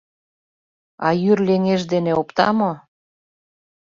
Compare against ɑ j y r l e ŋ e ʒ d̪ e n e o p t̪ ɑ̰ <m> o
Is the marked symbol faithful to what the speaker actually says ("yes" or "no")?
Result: yes